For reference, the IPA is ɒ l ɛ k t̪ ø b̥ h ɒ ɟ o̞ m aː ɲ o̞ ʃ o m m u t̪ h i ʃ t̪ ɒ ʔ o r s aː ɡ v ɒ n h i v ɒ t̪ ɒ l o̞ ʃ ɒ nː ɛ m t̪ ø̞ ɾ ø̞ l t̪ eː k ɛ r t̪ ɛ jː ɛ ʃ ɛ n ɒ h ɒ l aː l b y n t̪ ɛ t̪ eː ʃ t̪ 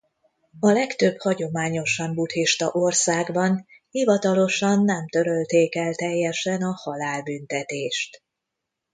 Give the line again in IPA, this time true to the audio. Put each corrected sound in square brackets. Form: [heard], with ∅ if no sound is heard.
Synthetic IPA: ɒ l ɛ k t̪ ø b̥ h ɒ ɟ o̞ m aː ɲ o̞ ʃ [ɒ] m [b] u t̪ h i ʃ t̪ ɒ ʔ o r s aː ɡ [b] ɒ n h i v ɒ t̪ ɒ l o̞ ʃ ɒ nː ɛ m t̪ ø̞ ɾ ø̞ l t̪ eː k ɛ [l] t̪ ɛ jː ɛ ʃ ɛ n ɒ h ɒ l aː l b y n t̪ ɛ t̪ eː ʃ t̪

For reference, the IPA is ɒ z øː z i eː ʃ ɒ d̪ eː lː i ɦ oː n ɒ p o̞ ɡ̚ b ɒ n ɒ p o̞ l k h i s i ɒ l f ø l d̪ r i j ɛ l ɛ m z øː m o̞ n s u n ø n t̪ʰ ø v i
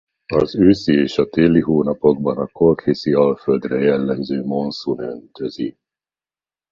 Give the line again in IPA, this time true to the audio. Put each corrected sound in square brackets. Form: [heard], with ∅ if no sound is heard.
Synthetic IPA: ɒ z øː [s] i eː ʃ ɒ [t̪] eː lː i ɦ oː n ɒ p o̞ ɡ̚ b ɒ n ɒ [k] o̞ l k h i s i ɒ l f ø l d̪ r [ɛ] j ɛ [lː] ɛ m z øː m o̞ n s u n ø n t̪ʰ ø [z] i

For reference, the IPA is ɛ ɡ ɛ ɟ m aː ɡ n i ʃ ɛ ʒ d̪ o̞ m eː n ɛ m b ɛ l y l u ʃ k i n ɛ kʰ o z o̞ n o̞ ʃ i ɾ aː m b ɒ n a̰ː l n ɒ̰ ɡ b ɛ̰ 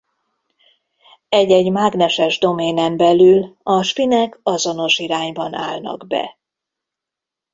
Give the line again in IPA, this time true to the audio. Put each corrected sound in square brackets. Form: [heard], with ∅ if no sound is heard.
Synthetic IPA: ɛ [ɟ] ɛ ɟ m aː ɡ n [ɛ] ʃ ɛ ʒ d̪ o̞ m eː n ɛ m b ɛ l y l [ɒ] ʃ [p] i n ɛ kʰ [ɒ] z o̞ n o̞ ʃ i ɾ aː [ɲ] b ɒ n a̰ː l n ɒ̰ ɡ b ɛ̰

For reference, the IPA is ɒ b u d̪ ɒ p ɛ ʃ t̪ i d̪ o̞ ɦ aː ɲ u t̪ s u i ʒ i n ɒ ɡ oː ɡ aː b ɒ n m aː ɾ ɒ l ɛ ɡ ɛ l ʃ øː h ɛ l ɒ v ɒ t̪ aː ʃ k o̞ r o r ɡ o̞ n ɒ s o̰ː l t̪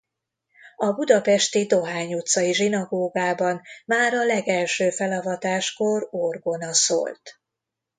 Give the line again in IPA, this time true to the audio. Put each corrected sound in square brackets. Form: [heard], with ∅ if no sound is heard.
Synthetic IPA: ɒ b u d̪ ɒ p ɛ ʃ t̪ i d̪ o̞ ɦ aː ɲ u t̪ s [ɒ] i ʒ i n ɒ ɡ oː ɡ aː b ɒ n m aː ɾ ɒ l ɛ ɡ ɛ l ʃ øː [f] ɛ l ɒ v ɒ t̪ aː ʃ k o̞ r o r ɡ o̞ n ɒ s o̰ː l t̪

